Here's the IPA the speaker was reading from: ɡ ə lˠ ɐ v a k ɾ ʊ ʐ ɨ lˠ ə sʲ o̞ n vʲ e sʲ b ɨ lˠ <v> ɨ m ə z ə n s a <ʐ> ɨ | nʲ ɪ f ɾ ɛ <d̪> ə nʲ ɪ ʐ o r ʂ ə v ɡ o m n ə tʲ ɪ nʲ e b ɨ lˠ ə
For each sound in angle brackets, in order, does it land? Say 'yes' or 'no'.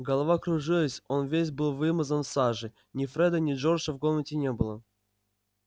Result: yes, yes, yes

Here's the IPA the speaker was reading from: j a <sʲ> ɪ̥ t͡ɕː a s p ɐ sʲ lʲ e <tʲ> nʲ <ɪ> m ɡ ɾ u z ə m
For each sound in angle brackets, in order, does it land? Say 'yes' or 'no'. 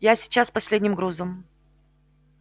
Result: yes, no, yes

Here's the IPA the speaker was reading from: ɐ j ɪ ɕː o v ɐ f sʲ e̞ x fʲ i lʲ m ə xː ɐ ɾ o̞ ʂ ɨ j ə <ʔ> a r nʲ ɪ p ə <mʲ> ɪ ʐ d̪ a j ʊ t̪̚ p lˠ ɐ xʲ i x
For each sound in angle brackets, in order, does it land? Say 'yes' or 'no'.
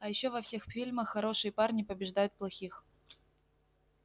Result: no, no

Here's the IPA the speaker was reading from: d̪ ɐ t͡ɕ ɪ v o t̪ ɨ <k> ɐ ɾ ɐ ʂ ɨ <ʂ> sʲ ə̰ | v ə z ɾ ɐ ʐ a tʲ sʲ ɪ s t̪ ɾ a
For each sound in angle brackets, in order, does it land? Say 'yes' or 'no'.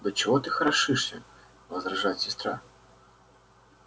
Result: no, yes

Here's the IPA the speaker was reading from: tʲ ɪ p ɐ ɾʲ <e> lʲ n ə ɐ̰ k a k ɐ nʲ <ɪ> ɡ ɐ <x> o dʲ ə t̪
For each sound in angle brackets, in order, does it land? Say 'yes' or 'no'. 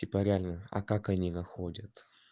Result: no, no, yes

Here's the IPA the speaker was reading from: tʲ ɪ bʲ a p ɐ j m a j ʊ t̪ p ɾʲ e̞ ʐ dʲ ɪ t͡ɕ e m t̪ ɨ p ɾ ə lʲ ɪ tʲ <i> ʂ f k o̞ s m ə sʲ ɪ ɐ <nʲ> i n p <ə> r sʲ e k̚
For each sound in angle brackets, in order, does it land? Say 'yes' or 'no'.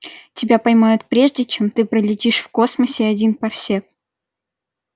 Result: yes, no, no

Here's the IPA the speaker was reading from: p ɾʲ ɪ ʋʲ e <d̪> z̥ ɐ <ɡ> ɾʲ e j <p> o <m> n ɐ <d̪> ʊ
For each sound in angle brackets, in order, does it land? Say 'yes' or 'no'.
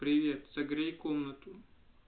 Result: no, yes, no, yes, no

